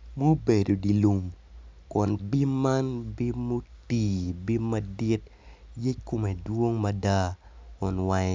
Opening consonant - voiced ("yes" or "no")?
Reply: yes